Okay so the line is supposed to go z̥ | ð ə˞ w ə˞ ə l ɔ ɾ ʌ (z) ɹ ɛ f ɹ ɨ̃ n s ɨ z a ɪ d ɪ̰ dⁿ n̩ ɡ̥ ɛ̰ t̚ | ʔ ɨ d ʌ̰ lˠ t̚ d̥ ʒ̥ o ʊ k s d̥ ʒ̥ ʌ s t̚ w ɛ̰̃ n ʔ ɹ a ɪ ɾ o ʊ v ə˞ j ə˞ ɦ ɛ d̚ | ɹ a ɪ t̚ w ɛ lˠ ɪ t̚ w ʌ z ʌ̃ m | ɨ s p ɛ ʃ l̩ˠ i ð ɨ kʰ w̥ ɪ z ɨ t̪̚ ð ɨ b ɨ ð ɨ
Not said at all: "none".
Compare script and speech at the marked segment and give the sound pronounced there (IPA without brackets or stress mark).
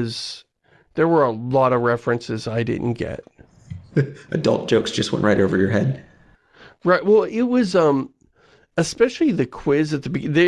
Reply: v